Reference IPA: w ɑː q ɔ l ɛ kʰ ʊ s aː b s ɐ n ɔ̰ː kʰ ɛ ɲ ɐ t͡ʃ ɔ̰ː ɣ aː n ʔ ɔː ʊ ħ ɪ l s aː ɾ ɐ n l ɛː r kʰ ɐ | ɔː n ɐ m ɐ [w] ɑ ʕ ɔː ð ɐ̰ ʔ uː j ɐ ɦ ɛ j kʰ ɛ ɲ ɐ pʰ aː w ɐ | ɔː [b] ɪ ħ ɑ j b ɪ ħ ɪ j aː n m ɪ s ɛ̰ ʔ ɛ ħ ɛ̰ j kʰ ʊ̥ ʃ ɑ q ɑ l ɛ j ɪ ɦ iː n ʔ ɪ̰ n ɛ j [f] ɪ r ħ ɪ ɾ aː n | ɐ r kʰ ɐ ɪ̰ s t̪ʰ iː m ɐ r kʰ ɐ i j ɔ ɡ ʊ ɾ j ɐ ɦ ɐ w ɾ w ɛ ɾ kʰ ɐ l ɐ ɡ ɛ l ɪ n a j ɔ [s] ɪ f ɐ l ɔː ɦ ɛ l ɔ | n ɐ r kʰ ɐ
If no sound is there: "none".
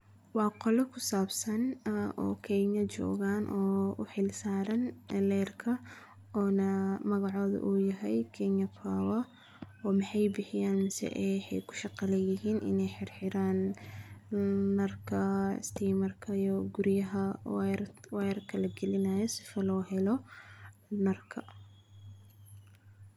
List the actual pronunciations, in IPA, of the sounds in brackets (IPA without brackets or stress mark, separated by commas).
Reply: ɣ, m, ħ, s